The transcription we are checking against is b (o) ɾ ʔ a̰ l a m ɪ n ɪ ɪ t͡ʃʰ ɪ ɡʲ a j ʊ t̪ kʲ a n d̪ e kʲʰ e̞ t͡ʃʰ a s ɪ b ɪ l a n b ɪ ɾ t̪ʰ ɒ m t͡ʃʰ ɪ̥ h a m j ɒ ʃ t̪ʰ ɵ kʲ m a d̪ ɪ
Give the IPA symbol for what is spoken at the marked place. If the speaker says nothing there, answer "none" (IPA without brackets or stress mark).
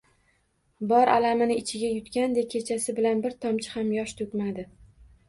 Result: ɒ